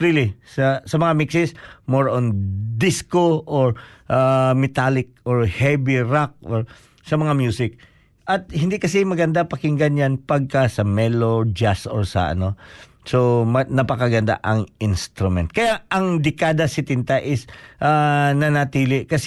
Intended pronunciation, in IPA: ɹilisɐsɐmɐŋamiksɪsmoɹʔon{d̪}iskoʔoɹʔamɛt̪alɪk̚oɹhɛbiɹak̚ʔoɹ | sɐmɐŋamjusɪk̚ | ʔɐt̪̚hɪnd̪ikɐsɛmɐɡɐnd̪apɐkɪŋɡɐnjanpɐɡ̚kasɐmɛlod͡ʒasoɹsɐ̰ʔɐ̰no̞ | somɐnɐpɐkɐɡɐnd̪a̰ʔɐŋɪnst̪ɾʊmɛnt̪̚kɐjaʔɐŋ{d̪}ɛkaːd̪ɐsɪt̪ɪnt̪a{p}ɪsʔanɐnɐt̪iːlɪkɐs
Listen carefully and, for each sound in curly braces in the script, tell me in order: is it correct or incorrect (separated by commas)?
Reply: correct, correct, incorrect